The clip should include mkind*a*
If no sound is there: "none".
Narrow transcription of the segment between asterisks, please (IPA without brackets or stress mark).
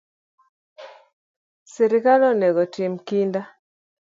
a